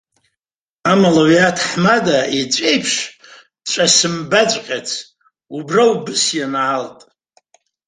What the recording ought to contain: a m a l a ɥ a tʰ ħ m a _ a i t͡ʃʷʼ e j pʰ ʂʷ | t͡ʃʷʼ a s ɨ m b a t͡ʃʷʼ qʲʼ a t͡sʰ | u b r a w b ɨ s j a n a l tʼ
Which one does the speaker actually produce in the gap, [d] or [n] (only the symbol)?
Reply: d